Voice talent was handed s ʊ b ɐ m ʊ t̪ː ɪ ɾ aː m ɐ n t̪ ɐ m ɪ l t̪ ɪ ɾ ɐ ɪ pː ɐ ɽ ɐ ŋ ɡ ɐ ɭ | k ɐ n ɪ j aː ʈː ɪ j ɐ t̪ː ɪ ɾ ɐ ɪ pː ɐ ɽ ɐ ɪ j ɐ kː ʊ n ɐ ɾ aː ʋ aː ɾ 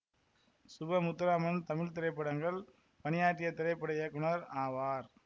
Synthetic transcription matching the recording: s ʊ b ɐ m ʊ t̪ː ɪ ɾ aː m ɐ n t̪ ɐ m ɪ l t̪ ɪ ɾ ɐ ɪ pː ɐ ɽ ɐ ŋ ɡ ɐ ɭ | p ɐ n ɪ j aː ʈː ɪ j ɐ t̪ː ɪ ɾ ɐ ɪ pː ɐ ɽ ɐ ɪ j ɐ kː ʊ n ɐ ɾ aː ʋ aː ɾ

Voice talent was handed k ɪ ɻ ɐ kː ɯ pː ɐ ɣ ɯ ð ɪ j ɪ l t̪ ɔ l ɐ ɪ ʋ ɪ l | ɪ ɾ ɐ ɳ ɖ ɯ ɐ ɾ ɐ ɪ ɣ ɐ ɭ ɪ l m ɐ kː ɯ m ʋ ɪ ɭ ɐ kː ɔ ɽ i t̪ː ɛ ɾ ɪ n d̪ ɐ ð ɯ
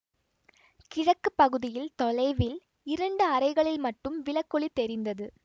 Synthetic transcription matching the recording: k ɪ ɻ ɐ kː ɯ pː ɐ ɣ ɯ ð ɪ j ɪ l t̪ ɔ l ɐ ɪ ʋ ɪ l | ɪ ɾ ɐ ɳ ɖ ɯ ɐ ɾ ɐ ɪ ɣ ɐ ɭ ɪ l m ɐ ʈː ɯ m ʋ ɪ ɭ ɐ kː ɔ ɭ i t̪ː ɛ ɾ ɪ n d̪ ɐ ð ɯ

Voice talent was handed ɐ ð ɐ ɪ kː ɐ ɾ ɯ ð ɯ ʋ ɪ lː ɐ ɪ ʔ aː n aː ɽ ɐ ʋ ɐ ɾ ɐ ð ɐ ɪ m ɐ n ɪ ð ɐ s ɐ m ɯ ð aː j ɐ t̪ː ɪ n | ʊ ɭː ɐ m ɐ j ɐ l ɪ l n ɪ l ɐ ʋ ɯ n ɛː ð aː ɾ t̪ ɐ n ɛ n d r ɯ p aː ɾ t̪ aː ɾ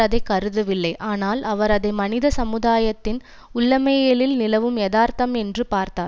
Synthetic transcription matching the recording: ɐ ð ɐ ɪ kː ɐ ɾ ɯ ð ɯ ʋ ɪ lː ɐ ɪ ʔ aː n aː l ɐ ʋ ɐ ɾ ɐ ð ɐ ɪ m ɐ n ɪ ð ɐ s ɐ m ɯ ð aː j ɐ t̪ː ɪ n | ʊ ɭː ɐ m ɐ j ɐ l ɪ l n ɪ l ɐ ʋ ɯ m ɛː ð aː ɾ t̪ ɐ m ɛ n d r ɯ p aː ɾ t̪ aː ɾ

